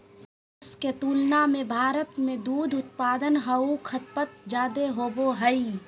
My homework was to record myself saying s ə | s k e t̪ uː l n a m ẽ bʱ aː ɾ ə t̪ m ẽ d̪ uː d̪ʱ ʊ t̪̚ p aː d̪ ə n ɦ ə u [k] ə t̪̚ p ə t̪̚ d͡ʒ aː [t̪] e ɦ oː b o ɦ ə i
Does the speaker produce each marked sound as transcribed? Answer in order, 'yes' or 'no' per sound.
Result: no, no

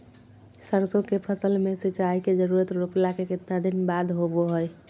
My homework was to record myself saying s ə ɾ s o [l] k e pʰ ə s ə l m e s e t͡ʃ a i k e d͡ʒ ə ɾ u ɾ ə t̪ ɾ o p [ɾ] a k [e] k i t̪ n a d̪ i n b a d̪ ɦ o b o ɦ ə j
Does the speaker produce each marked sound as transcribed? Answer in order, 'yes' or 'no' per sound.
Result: no, no, yes

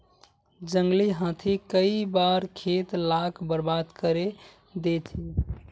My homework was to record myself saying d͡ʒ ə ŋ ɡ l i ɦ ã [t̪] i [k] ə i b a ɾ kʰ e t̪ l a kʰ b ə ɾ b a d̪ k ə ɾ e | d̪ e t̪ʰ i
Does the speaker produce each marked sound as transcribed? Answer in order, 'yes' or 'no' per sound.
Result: no, yes

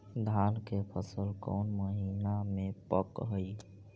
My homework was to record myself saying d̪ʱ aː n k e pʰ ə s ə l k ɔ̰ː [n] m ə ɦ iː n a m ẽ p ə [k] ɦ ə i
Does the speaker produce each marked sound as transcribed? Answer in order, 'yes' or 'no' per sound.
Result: yes, yes

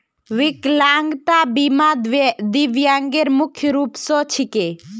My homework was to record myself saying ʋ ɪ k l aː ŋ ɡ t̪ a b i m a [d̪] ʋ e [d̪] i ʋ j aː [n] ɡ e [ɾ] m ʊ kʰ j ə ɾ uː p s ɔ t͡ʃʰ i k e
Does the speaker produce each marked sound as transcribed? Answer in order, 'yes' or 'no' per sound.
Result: yes, yes, no, yes

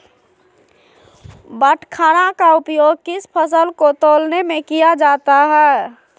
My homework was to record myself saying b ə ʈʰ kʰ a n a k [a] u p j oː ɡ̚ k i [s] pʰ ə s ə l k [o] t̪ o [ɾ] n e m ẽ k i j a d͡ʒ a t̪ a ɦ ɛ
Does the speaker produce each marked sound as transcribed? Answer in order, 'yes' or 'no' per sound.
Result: yes, yes, yes, no

